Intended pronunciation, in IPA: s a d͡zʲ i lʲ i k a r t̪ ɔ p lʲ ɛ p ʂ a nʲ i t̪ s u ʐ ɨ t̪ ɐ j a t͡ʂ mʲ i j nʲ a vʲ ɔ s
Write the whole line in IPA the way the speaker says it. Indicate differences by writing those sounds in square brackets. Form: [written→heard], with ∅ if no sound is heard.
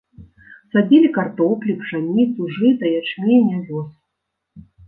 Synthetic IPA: s a d͡zʲ i lʲ i k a r t̪ ɔ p lʲ [ɛ→i] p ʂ a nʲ i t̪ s u ʐ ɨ t̪ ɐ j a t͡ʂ mʲ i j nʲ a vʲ ɔ s